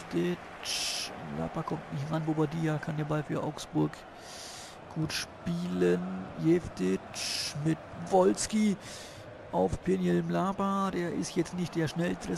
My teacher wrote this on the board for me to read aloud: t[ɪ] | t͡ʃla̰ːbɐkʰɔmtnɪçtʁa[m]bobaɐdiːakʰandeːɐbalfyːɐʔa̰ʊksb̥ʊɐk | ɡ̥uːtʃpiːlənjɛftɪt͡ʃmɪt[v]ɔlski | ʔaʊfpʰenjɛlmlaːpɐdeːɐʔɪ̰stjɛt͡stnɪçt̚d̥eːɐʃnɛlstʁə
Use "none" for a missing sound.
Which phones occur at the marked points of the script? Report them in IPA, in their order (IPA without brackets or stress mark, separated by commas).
ɪ, n, v